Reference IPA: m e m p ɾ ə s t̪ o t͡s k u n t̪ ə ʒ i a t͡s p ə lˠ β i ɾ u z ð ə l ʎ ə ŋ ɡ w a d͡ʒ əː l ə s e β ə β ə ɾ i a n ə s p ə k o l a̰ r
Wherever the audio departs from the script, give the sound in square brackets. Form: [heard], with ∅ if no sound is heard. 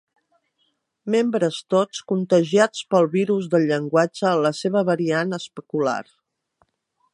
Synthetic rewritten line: m e m [b] ɾ ə s t̪ o t͡s k u n t̪ ə ʒ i a t͡s p ə lˠ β i ɾ u z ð ə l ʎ ə ŋ ɡ w a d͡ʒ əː l ə s e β ə β ə ɾ i a n ə s p ə k [u] l a̰ r